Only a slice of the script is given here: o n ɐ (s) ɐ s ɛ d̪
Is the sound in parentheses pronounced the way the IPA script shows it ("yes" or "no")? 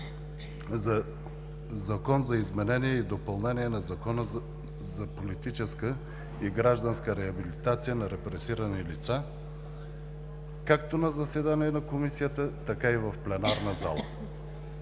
no